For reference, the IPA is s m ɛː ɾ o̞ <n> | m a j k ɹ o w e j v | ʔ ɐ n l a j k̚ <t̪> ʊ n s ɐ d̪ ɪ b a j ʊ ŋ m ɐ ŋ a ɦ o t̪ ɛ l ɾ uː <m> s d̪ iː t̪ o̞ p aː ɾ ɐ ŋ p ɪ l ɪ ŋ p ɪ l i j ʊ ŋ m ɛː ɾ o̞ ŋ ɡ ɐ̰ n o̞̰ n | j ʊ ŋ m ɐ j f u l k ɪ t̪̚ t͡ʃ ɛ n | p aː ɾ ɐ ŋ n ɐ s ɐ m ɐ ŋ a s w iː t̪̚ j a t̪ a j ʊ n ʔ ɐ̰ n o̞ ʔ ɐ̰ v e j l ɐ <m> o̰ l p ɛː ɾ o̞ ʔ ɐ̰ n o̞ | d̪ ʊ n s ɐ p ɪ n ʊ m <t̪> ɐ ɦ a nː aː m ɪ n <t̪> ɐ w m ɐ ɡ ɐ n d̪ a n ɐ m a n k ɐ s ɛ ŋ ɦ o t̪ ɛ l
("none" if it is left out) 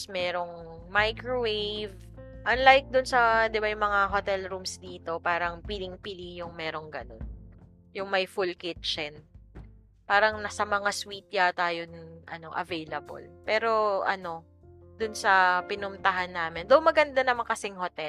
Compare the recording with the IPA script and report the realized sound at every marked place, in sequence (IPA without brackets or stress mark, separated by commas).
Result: ŋ, d̪, m, b, t̪, d̪